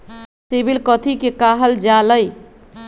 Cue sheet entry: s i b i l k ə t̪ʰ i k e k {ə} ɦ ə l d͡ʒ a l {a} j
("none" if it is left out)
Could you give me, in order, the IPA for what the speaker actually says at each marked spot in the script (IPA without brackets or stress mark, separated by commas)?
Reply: a, ə